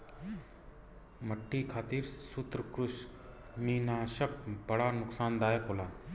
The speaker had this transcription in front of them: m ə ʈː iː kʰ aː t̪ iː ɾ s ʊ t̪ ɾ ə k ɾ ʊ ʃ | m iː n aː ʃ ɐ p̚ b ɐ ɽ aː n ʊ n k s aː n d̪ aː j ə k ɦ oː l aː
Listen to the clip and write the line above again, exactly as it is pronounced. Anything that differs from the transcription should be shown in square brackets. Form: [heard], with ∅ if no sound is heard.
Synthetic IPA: m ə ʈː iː kʰ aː t̪ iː ɾ s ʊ t̪ ɾ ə k ɾ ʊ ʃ | m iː n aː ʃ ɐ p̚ b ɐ ɽ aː n ʊ [∅] k s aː n d̪ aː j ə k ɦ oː l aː